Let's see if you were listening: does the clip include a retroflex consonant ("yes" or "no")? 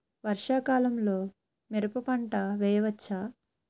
yes